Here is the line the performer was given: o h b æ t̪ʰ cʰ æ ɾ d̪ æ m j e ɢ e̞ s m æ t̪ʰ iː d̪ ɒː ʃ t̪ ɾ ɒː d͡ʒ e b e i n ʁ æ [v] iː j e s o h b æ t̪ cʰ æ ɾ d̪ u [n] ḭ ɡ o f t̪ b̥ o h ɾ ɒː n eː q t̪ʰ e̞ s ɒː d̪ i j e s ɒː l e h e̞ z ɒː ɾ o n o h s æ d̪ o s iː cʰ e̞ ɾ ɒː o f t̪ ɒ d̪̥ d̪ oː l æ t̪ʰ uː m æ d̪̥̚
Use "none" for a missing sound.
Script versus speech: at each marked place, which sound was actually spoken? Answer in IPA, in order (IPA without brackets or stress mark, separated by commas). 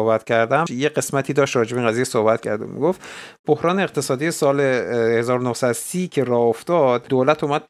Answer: z, m